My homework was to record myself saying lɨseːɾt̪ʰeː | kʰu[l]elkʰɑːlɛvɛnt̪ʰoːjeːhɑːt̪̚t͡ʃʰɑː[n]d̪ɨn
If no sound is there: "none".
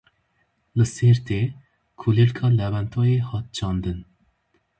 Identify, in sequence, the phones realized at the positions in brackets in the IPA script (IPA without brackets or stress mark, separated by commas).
l, n